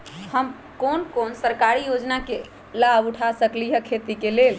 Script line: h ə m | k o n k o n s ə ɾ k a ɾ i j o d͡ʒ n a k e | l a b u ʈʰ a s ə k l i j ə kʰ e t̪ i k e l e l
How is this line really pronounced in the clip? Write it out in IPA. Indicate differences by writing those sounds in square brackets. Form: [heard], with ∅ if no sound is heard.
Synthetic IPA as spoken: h ə m | k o n k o n s ə ɾ k a ɾ i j o d͡ʒ n a k e | l a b u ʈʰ a s ə k l i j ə kʰ e t̪ i k e l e l